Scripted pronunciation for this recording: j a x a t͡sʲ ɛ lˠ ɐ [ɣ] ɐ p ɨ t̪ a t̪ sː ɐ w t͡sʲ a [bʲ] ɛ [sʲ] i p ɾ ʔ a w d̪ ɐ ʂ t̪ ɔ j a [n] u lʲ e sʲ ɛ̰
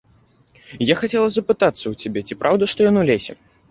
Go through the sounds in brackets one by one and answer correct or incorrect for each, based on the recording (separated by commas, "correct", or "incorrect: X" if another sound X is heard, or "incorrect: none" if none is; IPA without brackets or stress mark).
incorrect: z, correct, incorrect: t͡sʲ, correct